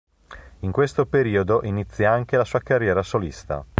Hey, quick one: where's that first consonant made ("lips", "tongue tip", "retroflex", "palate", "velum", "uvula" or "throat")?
velum